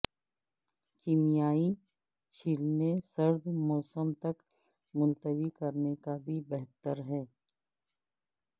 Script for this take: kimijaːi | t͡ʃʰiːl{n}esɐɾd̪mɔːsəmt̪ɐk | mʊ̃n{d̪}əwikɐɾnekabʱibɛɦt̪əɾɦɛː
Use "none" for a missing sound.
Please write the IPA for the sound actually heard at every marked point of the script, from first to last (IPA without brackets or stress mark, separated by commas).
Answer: n, t̪